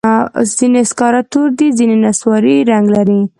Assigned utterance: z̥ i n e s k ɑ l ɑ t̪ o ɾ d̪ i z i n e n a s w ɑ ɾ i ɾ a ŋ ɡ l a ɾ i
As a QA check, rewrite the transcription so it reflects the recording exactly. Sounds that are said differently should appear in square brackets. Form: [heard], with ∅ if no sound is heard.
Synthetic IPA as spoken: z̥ i n e s k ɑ [ɾ] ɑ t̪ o ɾ d̪ i z i n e n a s w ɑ ɾ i ɾ a ŋ ɡ l a ɾ i